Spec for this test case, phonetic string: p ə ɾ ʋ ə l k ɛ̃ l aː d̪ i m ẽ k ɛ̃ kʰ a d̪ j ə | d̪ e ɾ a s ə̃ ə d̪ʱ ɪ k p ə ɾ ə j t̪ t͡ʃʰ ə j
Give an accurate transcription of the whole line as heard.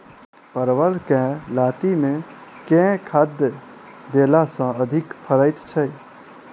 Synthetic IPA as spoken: p ə ɾ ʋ ə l k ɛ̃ l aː t̪ i m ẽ k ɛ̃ kʰ a d̪ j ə | d̪ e l a s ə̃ ə d̪ʱ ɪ k pʰ ə ɾ ə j t̪ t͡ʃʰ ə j